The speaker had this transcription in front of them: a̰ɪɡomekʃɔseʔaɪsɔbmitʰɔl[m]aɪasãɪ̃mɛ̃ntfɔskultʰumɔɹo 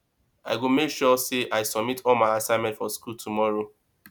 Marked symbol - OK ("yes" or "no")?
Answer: yes